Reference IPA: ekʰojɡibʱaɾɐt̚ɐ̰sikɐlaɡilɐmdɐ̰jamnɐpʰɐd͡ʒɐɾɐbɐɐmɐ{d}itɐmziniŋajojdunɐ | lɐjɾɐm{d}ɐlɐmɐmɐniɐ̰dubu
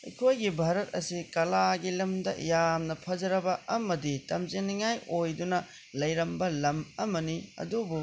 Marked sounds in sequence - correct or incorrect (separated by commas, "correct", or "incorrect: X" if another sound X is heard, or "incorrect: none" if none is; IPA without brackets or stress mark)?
correct, incorrect: b